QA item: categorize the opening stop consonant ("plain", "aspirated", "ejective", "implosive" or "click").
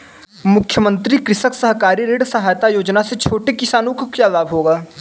aspirated